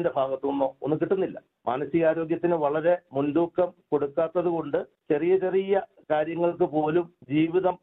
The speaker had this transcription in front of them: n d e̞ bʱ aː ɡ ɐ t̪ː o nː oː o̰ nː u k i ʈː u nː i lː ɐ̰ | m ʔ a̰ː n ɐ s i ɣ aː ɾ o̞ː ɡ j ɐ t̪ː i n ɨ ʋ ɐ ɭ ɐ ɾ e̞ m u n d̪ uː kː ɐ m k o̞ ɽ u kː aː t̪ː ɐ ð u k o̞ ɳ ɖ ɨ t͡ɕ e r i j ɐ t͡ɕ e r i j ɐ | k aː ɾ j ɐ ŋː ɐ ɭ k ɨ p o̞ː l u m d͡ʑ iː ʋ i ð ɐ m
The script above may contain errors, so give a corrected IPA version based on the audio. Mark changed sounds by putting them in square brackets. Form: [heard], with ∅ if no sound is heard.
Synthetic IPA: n d e̞ bʱ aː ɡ ɐ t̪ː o nː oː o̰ nː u k i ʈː u nː i lː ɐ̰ | m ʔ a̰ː n ɐ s i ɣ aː ɾ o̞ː ɡ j ɐ t̪ː i n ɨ ʋ ɐ ɭ ɐ ɾ e̞ m u n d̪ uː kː ɐ m k o̞ ɽ u kː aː t̪ː ɐ ð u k o̞ ɳ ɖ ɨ t͡ɕ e r i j ɐ t͡ɕ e r i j ɐ | k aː ɾ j ɐ ŋː ɐ ɭ k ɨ p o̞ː l u m d͡ʑ iː ʋ i ð ɐ m